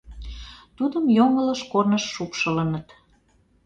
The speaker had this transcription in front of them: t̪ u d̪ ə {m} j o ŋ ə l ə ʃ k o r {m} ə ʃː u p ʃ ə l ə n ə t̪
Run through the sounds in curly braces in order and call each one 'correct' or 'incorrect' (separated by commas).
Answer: correct, incorrect